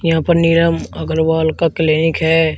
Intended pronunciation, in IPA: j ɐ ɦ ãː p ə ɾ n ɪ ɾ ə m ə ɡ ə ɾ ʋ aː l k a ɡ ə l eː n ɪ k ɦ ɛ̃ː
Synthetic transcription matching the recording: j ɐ ɦ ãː p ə ɾ n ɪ ɾ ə m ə ɡ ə ɾ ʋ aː l k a k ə l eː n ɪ k ɦ ɛː